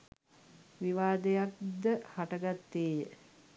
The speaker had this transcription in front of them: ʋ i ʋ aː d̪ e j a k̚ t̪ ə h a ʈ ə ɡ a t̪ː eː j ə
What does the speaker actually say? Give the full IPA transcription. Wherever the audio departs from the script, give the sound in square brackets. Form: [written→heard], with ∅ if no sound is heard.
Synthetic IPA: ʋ i ʋ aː d̪ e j a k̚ [t̪→d̪] ə h a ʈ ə ɡ a t̪ː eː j ə